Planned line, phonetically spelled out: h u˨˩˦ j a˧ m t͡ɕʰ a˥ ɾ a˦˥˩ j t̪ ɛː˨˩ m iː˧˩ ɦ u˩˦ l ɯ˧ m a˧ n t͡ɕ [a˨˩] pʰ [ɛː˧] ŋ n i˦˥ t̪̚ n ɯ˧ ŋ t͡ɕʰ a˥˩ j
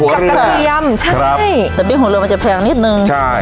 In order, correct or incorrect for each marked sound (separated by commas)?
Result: correct, correct